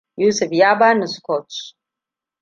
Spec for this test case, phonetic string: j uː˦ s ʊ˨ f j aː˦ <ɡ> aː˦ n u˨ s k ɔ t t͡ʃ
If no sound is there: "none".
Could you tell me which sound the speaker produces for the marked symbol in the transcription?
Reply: b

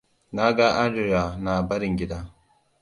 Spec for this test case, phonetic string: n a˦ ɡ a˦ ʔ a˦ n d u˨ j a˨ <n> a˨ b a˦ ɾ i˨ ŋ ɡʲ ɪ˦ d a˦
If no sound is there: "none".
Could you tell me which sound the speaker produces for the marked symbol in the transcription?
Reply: n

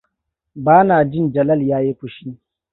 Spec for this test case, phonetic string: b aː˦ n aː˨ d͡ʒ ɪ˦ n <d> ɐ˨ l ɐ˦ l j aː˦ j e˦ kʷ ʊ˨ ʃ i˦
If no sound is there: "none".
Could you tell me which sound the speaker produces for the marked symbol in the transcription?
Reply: d͡ʒ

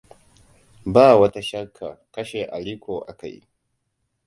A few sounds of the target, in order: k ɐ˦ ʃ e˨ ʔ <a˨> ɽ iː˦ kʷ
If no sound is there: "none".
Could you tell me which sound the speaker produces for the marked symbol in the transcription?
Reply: a˨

